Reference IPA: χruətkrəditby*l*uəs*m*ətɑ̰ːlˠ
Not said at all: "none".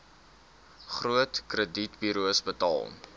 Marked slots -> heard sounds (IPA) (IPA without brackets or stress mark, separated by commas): ɾ, b